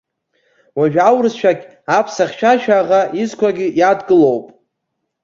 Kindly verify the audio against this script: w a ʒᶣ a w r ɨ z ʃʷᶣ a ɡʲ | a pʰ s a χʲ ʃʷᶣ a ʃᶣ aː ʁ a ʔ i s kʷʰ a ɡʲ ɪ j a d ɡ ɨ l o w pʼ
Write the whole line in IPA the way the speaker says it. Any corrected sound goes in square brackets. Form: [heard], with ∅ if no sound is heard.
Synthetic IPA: w a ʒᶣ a w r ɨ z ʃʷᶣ a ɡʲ | a pʰ s a χʲ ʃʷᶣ a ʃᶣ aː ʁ a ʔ i [z] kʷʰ a ɡʲ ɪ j a d ɡ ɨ l o w pʼ

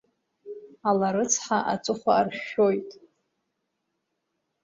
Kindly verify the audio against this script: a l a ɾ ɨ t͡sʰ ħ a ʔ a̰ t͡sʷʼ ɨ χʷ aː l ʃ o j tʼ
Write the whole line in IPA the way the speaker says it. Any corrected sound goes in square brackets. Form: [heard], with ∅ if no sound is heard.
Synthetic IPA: a l a ɾ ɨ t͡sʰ ħ a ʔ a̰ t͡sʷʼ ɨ χʷ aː [r] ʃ o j tʼ

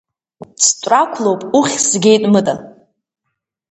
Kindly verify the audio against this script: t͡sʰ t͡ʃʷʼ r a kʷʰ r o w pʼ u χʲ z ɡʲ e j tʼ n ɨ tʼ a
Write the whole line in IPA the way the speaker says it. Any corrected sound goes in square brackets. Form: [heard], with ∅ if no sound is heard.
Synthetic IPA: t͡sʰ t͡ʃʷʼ r a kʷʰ [l] o w pʼ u χʲ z ɡʲ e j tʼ [m] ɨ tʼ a

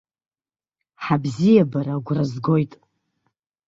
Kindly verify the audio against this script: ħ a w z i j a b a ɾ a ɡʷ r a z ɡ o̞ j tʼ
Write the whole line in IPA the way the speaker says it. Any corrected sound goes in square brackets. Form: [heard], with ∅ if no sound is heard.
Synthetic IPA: ħ a [b] z i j a b a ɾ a ɡʷ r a z ɡ o̞ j tʼ

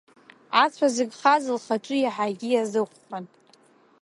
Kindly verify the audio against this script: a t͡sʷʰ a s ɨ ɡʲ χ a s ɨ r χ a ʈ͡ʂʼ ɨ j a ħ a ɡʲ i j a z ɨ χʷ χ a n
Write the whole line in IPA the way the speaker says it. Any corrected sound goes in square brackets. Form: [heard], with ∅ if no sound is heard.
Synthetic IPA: a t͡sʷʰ a [z] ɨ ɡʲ χ a [z] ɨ [l] χ a ʈ͡ʂʼ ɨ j a ħ a ɡʲ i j a z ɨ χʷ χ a n

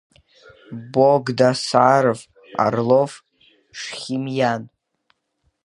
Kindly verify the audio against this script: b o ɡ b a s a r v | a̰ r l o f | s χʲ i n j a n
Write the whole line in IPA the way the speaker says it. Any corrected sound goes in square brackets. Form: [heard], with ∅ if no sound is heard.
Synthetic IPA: b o ɡ [d] a s a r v | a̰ r l o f | [ʂ] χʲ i [m] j a n

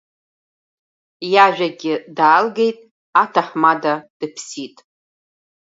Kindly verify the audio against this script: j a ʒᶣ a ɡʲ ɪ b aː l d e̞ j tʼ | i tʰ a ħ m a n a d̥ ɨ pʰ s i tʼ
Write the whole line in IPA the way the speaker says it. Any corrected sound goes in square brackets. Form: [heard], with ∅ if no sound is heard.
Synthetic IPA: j a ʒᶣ a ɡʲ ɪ [d] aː l [ɡ] e̞ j tʼ | [a] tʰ a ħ m a [d] a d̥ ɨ pʰ s i tʼ

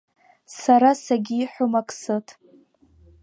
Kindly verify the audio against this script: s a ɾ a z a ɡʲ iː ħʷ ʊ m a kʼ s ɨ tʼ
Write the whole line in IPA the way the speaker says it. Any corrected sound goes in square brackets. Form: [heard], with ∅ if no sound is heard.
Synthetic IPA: s a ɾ a [s] a ɡʲ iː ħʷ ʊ m a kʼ s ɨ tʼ

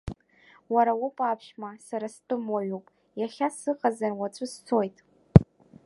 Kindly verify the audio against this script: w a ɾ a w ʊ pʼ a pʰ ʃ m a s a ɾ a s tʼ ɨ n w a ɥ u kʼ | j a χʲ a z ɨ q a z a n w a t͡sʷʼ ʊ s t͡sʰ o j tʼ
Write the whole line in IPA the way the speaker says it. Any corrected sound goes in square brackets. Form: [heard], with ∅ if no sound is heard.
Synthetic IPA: w a ɾ a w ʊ pʼ a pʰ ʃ m a s a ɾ a s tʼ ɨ [m] w a ɥ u [pʼ] | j a χʲ a [s] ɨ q a z a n w a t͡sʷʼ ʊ s t͡sʰ o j tʼ

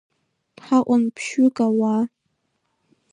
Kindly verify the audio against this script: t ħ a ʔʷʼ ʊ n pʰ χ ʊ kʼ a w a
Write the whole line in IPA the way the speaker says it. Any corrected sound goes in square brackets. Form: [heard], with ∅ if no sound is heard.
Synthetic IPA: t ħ a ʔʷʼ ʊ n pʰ [ʃ] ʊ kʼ a w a

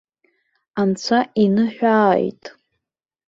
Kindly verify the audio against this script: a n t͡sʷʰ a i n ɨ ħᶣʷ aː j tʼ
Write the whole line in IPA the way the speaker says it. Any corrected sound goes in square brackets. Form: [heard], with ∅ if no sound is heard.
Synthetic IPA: a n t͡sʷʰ a i n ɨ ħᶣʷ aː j tʼ

